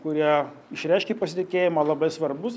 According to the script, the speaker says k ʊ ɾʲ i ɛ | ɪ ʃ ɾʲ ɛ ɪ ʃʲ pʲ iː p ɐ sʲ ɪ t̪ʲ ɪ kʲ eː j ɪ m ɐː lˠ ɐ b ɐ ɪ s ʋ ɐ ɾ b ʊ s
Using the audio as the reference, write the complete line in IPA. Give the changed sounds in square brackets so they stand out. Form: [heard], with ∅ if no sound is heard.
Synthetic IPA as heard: k ʊ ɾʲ i ɛ | ɪ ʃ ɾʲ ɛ ɪ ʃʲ [kʲ] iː p ɐ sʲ ɪ t̪ʲ ɪ kʲ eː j ɪ m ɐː lˠ ɐ b ɐ ɪ s ʋ ɐ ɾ b ʊ s